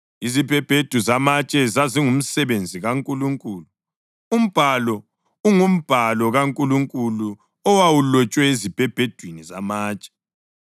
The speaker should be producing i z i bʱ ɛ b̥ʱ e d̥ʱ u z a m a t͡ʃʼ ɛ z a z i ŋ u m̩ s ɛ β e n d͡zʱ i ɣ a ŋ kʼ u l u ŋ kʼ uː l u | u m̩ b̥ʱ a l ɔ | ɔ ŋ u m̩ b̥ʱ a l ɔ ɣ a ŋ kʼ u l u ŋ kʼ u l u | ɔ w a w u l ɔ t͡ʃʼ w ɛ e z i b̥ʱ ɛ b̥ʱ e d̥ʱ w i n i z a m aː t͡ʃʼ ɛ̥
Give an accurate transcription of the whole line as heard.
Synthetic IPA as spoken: i z i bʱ ɛ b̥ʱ e d̥ʱ u z a m a t͡ʃʼ ɛ z a z i ŋ u m̩ s ɛ β e n d͡zʱ i ɣ a ŋ kʼ u l u ŋ kʼ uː l u | u m̩ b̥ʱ a l ɔ | u ŋ u m̩ b̥ʱ a l ɔ ɣ a ŋ kʼ u l u ŋ kʼ u l u | ɔ w a w u l ɔ t͡ʃʼ w ɛ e z i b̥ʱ ɛ b̥ʱ e d̥ʱ w i n i z a m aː t͡ʃʼ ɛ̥